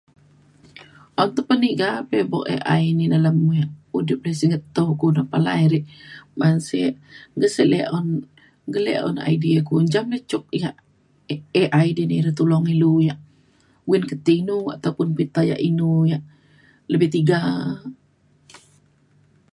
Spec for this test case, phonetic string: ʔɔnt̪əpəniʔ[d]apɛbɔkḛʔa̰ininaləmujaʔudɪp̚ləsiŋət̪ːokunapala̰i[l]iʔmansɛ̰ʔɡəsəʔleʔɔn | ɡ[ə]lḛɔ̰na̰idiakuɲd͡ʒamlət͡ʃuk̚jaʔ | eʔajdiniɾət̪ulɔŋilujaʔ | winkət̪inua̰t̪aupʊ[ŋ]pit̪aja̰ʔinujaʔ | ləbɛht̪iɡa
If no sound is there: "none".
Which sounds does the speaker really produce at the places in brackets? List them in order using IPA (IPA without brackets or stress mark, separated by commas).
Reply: ɡ, ɾ, ə, n